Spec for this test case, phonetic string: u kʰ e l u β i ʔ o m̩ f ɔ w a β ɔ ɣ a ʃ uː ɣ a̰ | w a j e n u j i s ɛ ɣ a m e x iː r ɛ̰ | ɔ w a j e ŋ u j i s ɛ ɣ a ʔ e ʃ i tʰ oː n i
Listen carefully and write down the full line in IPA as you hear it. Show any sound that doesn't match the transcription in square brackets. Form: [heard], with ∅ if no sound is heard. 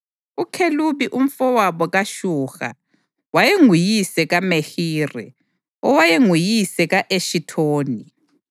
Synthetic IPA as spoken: u kʰ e l u β i ʔ [u] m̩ f ɔ w a β ɔ ɣ a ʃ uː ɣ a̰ | w a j e [ŋ] u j i s ɛ ɣ a m e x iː r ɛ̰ | ɔ w a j e ŋ u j i s ɛ ɣ a ʔ e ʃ i tʰ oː n i